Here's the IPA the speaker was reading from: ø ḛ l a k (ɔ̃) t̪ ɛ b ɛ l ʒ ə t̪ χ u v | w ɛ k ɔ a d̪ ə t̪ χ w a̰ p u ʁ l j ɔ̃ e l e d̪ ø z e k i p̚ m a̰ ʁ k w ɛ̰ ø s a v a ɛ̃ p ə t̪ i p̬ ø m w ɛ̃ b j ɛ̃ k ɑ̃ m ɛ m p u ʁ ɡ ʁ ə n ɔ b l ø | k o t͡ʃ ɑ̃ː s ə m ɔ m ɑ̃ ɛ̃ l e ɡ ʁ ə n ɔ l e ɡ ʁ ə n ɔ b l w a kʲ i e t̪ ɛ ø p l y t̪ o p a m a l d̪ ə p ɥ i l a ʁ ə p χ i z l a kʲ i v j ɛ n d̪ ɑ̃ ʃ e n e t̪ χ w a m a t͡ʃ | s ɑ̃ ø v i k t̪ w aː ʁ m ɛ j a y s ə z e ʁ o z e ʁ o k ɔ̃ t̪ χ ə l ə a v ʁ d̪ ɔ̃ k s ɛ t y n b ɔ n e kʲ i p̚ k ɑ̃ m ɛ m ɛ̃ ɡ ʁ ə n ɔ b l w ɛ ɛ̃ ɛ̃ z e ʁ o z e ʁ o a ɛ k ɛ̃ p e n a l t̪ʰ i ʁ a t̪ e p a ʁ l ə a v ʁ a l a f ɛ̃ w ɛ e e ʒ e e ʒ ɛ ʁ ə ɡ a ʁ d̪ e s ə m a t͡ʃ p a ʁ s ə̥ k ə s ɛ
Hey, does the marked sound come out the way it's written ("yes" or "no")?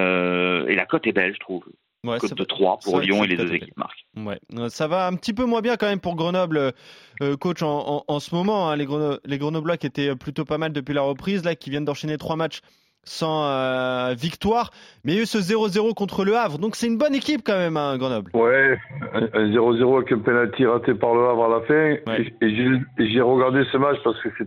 no